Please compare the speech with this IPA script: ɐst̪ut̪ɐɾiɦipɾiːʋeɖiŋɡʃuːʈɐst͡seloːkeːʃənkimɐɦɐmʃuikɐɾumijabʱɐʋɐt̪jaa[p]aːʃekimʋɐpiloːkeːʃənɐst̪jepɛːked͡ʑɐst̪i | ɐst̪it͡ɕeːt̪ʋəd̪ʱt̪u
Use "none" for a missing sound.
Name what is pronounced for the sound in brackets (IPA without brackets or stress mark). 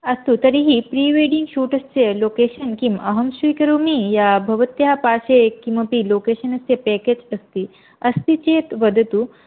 p